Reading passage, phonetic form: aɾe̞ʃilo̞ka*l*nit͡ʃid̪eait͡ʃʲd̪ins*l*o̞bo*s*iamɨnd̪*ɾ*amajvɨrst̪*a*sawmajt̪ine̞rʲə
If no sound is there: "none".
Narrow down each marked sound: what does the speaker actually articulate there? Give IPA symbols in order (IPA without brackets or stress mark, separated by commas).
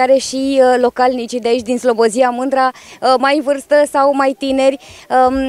l, l, z, ɾ, ə